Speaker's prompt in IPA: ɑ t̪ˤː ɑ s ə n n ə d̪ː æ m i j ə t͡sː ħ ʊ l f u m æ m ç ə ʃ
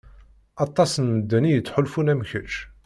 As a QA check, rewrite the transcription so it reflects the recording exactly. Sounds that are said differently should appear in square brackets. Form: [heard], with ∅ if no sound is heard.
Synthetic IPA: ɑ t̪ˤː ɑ s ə n [m] ə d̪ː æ [n] i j ə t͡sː ħ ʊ l f u [n] æ m ç ə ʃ

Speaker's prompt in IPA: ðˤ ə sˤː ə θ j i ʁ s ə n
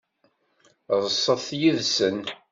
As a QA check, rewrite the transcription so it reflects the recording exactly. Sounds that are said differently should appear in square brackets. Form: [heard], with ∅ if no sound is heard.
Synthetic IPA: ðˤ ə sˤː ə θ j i [ð] s ə n

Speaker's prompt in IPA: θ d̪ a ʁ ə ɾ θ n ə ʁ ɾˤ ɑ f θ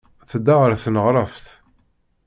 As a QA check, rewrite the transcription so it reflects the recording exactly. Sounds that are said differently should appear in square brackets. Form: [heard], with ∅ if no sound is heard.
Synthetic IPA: θ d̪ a ʁ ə ɾ θ n ə ʁ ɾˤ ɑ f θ

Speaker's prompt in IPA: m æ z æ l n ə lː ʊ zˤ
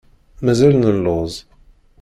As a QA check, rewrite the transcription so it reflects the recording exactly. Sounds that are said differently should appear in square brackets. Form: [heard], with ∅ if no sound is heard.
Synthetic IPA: m æ z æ l n ə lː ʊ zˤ

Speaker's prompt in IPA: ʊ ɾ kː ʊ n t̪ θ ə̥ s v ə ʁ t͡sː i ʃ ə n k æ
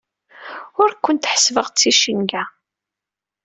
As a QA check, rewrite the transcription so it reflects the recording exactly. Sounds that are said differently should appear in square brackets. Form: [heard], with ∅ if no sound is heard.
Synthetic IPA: ʊ ɾ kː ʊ n t̪ [ħ] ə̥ s v ə ʁ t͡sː i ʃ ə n [ɡ] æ

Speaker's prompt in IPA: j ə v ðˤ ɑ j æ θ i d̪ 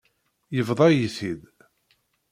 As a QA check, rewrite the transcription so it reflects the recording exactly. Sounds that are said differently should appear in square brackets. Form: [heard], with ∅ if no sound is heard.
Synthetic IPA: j ə v ðˤ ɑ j [i] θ i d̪

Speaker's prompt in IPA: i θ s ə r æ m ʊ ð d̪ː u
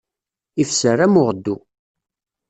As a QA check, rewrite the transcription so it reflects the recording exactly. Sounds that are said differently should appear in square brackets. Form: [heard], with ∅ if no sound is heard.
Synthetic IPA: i [f] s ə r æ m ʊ [ʁ] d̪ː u

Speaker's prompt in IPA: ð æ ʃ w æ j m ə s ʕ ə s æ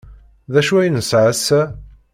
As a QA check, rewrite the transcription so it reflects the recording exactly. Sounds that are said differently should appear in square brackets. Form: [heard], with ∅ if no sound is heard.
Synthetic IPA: ð æ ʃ [u] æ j [n] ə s ʕ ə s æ

